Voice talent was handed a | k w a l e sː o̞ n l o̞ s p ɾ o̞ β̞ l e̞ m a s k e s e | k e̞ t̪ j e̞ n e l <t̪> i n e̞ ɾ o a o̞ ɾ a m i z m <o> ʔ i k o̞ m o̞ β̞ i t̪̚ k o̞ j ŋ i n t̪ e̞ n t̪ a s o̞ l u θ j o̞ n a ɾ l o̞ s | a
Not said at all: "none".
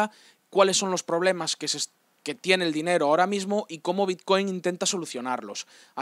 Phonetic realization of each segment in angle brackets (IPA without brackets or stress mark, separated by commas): d̪, o